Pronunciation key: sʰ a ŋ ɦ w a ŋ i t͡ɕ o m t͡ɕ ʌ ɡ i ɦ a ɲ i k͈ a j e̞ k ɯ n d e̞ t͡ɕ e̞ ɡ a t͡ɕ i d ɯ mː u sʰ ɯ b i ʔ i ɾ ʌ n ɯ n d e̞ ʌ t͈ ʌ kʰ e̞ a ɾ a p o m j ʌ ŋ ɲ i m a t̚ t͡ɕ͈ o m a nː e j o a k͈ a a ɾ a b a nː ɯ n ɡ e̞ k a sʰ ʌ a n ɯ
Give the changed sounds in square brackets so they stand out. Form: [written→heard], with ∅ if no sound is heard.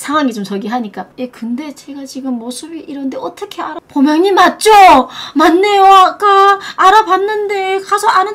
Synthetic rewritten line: sʰ a ŋ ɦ w a ŋ i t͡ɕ o m t͡ɕ ʌ ɡ i ɦ a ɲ i k͈ a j e̞ k ɯ n d e̞ t͡ɕ e̞ ɡ a t͡ɕ i [d→ɡ] ɯ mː [u→o] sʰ ɯ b i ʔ i ɾ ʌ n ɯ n d e̞ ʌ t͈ ʌ kʰ e̞ a ɾ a p o m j ʌ ŋ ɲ i m a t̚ t͡ɕ͈ o m a nː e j o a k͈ a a ɾ a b a nː ɯ n [ɡ→d] e̞ k a sʰ ʌ a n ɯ